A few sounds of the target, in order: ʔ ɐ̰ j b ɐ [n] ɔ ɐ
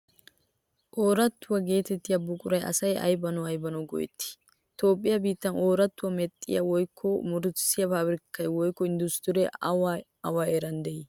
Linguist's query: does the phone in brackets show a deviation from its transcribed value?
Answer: no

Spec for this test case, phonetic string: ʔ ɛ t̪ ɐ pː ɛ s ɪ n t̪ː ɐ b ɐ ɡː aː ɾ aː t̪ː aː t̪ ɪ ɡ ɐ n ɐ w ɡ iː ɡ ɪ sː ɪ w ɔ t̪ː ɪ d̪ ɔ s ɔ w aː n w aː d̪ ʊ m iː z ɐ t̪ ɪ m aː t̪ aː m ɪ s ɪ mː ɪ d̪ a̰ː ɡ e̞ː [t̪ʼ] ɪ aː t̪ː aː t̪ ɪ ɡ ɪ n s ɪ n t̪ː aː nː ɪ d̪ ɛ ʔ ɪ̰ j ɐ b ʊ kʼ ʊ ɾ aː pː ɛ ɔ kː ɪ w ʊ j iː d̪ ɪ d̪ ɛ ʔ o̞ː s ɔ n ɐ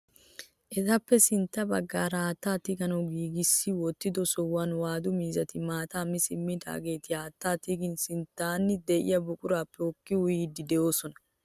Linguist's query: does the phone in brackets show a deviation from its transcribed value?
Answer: yes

